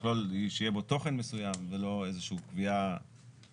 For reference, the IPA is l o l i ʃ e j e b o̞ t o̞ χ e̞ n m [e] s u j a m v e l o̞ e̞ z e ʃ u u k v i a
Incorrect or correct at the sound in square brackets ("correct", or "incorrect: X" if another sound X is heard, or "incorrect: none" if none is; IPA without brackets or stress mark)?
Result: correct